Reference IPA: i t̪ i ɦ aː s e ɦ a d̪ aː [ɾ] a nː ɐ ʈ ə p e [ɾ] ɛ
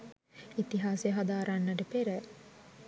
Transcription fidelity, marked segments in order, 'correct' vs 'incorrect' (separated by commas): correct, correct